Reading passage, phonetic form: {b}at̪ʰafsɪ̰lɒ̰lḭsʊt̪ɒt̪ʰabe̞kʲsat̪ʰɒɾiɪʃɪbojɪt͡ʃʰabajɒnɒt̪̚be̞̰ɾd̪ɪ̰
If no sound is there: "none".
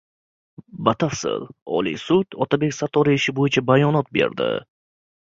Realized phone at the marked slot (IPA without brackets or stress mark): b